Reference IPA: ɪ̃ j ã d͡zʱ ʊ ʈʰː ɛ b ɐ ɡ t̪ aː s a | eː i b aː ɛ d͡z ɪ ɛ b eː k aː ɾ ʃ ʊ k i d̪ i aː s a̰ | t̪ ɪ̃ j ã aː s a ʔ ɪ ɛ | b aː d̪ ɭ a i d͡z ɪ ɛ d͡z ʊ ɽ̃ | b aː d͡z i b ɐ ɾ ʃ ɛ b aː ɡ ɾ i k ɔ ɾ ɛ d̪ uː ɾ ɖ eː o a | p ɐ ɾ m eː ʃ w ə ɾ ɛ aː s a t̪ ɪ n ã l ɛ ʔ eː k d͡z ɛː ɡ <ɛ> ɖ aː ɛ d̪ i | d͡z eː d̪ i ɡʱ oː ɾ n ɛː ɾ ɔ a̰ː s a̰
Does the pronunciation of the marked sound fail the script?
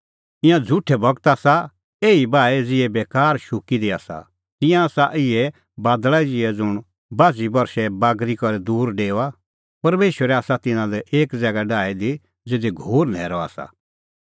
yes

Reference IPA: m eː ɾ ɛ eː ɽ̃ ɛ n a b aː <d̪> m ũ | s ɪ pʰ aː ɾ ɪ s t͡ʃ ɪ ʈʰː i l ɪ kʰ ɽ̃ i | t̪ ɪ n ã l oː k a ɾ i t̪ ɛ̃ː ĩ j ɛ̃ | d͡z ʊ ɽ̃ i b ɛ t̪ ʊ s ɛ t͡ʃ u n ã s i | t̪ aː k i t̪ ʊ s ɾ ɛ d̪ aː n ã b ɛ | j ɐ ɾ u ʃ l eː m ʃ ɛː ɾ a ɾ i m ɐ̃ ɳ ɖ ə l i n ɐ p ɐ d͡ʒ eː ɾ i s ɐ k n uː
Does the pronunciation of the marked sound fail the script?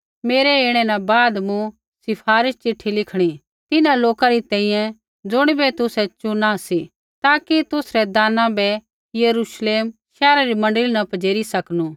no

